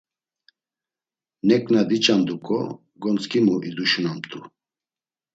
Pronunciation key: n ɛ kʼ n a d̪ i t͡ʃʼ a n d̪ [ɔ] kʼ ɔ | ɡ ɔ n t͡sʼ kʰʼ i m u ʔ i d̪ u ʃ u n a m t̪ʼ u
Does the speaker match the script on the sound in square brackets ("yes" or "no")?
no